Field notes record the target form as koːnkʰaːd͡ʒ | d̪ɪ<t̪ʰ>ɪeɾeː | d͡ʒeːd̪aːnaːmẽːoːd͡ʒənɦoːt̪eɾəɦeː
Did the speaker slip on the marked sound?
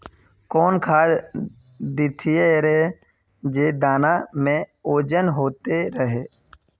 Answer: no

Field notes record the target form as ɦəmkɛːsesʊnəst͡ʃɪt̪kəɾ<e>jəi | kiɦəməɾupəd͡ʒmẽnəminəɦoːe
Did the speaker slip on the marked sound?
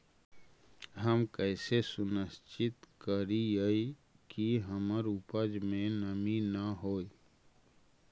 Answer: yes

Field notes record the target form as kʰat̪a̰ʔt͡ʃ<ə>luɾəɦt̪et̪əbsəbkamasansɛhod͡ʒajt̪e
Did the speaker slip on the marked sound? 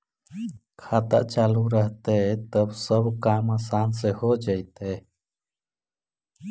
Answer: yes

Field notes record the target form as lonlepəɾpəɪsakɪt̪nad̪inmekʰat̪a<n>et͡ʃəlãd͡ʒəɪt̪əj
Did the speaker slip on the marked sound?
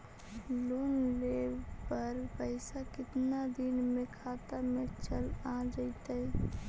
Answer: yes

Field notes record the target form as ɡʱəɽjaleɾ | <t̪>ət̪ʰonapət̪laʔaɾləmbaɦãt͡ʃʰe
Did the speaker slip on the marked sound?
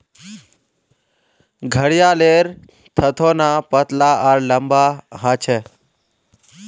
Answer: yes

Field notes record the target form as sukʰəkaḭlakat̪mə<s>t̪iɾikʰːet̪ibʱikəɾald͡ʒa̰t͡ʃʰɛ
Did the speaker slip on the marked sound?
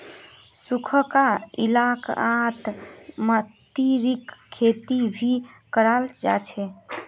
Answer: yes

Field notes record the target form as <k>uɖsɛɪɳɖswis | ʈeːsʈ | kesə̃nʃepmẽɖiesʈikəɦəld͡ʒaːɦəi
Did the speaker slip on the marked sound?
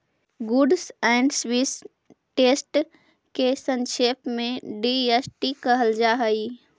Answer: yes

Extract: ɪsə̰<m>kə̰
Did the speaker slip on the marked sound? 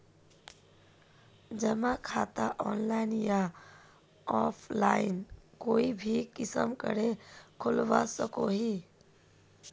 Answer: no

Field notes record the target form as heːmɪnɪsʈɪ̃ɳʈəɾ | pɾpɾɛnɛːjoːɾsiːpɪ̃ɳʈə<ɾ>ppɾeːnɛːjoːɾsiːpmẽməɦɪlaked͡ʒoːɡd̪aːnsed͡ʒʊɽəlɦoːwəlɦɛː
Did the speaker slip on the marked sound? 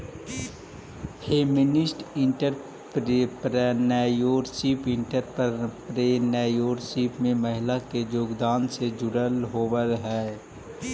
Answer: no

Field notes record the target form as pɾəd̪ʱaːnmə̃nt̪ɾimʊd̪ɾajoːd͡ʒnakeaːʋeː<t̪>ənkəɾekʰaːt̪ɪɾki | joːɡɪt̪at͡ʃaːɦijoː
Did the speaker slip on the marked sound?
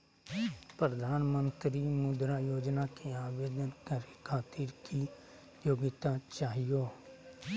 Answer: yes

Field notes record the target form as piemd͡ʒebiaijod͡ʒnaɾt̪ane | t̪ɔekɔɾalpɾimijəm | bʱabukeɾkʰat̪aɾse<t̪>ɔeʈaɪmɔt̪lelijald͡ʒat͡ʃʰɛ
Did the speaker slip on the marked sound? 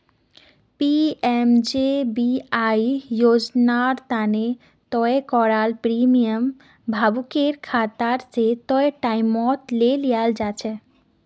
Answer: no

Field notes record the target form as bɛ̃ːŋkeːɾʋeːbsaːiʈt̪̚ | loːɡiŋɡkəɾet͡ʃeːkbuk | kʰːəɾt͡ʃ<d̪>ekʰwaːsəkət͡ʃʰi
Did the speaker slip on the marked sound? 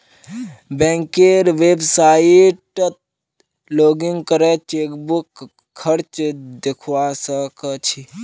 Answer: no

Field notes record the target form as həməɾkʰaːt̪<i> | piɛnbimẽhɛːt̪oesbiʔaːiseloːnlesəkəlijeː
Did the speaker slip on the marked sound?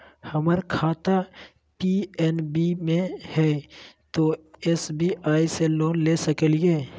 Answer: yes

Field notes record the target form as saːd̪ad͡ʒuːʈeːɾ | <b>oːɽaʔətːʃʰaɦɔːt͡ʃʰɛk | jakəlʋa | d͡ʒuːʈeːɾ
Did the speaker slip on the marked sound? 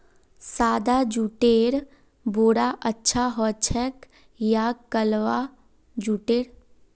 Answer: no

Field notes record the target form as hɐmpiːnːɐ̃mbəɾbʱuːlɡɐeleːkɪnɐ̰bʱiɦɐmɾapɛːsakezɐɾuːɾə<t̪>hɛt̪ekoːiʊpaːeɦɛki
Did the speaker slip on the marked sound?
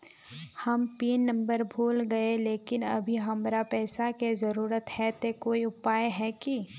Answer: no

